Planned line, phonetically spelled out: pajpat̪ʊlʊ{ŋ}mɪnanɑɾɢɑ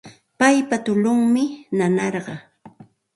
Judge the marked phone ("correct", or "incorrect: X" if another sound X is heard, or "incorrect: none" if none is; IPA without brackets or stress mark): correct